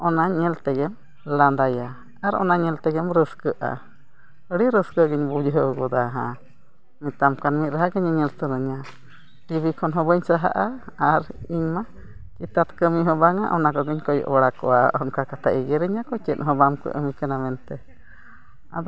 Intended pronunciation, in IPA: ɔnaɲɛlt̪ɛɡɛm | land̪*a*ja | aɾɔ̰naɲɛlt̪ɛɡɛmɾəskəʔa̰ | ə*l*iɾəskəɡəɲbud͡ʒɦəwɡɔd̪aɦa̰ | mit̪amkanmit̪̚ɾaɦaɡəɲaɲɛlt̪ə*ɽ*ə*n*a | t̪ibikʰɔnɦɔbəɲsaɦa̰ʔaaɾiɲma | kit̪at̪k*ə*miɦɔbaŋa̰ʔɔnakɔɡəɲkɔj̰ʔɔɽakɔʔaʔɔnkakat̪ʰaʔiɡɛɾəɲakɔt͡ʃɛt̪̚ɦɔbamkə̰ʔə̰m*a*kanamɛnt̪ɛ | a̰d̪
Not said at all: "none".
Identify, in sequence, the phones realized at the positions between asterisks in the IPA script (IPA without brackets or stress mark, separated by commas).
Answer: a, ɽ, ɾ, ɲ, ə, i